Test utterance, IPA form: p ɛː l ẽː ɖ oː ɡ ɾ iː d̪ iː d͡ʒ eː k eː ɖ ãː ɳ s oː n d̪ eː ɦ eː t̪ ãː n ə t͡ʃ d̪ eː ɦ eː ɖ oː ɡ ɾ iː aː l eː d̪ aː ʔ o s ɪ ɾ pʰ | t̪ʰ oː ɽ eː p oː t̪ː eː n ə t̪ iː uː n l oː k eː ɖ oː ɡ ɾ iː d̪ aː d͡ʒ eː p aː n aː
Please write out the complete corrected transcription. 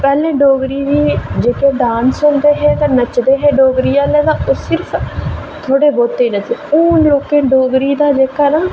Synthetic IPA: p ɛː l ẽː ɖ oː ɡ ɾ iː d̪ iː d͡ʒ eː k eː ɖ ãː n s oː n d̪ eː ɦ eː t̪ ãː n ə t͡ʃ d̪ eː ɦ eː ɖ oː ɡ ɾ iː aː l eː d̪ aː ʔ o s ɪ ɾ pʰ | t̪ʰ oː ɽ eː b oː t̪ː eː n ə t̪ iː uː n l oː k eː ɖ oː ɡ ɾ iː d̪ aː d͡ʒ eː k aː n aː